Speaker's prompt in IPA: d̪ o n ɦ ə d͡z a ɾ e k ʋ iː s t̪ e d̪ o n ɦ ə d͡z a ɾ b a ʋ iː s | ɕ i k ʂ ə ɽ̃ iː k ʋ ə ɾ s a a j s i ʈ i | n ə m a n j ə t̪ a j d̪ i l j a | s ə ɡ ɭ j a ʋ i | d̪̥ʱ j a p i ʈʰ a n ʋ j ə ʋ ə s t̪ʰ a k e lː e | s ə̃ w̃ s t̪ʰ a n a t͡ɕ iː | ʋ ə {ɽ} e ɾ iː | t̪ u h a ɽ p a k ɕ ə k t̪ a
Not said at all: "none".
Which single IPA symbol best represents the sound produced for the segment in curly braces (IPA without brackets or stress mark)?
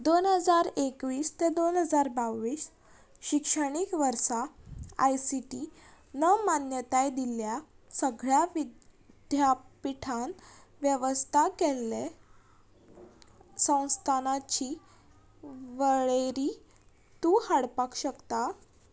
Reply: ɭ